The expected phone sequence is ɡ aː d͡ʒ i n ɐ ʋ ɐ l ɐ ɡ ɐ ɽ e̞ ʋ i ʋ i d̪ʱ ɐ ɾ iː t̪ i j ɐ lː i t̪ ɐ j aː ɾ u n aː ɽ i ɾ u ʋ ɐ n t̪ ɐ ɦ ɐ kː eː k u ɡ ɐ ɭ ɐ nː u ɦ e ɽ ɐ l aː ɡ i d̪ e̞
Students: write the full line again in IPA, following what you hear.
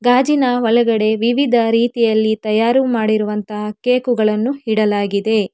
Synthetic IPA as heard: ɡ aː d͡ʒ i n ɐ ʋ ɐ l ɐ ɡ ɐ ɽ e̞ ʋ i ʋ i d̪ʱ ɐ ɾ iː t̪ i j ɐ lː i t̪ ɐ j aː ɾ u m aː ɽ i ɾ u ʋ ɐ n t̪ ɐ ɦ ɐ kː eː k u ɡ ɐ ɭ ɐ nː u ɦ i ɽ ɐ l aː ɡ i d̪ e̞